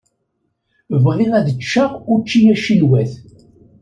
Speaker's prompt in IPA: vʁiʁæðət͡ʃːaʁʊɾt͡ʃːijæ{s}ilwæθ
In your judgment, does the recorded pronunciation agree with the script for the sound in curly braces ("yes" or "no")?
no